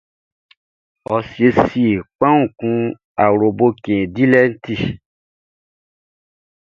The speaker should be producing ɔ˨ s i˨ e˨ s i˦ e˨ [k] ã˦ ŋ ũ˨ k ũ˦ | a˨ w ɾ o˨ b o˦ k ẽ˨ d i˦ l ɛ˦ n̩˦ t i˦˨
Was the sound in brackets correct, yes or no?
no